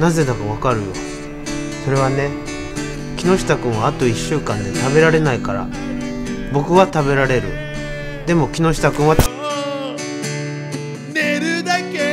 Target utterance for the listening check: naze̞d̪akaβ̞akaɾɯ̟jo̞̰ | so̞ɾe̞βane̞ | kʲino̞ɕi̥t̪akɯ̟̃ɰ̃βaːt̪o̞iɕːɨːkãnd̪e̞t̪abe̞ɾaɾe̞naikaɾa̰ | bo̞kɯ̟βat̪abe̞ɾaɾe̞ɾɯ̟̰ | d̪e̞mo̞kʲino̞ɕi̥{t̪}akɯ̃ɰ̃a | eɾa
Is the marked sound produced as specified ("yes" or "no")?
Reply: yes